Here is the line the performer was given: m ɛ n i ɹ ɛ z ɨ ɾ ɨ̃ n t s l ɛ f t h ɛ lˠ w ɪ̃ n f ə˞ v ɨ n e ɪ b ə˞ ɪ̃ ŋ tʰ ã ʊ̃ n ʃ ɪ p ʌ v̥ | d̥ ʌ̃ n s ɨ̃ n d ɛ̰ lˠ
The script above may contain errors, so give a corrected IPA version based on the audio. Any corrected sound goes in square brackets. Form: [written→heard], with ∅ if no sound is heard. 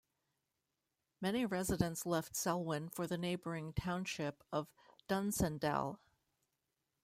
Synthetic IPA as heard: m ɛ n i ɹ ɛ z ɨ ɾ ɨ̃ n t s l ɛ f t [h→s] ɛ lˠ w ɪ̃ n f ə˞ [v→ð] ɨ n e ɪ b ə˞ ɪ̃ ŋ tʰ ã ʊ̃ n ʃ ɪ p ʌ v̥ | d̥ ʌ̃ n s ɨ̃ n d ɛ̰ lˠ

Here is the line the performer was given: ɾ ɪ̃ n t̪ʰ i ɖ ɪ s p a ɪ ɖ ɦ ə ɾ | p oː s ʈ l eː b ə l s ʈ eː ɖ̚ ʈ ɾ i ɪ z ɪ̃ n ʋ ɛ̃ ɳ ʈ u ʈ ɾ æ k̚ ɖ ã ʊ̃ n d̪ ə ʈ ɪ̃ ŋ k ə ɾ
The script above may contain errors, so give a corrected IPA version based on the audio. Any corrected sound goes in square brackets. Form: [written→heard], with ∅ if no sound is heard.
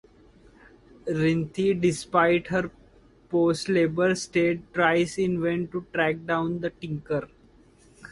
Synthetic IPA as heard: ɾ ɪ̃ n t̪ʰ i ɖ ɪ s p a ɪ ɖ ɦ ə ɾ | p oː s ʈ l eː b ə [l→ɾ] s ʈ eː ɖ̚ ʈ ɾ [i→a] ɪ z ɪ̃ n ʋ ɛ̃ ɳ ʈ u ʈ ɾ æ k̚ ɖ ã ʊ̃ n d̪ ə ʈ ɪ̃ ŋ k ə ɾ

